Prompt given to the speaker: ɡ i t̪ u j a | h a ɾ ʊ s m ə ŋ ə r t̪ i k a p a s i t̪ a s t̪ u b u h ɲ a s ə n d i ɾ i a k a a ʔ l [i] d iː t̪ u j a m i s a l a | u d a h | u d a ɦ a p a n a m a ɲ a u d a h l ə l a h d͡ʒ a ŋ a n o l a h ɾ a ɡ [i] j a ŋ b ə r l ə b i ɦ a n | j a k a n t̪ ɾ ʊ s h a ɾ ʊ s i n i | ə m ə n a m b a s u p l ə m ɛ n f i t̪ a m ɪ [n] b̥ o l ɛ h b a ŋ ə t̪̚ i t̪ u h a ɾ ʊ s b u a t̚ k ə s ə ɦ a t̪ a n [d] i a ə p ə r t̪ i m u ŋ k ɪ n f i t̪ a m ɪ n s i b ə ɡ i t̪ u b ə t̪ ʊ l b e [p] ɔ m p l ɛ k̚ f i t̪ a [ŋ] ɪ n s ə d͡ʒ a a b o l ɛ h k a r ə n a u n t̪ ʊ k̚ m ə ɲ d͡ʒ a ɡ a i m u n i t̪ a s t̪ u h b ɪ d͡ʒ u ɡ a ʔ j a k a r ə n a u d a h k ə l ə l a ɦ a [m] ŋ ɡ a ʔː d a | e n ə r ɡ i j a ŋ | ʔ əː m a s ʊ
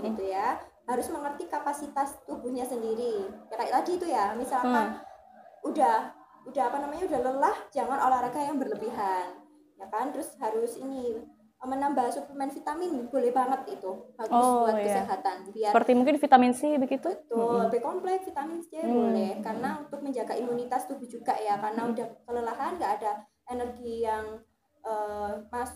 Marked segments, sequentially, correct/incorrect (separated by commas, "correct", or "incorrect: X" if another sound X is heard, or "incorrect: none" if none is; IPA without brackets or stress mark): incorrect: a, incorrect: a, correct, incorrect: b, incorrect: k, incorrect: m, incorrect: n